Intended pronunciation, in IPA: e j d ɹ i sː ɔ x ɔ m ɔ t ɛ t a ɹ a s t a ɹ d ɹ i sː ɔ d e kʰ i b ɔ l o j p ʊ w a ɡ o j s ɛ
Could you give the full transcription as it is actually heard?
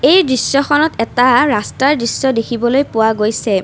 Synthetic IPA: e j d ɹ i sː ɔ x ɔ n ɔ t ɛ t a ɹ a s t a ɹ d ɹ i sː ɔ d e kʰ i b ɔ l o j p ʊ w a ɡ o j s ɛ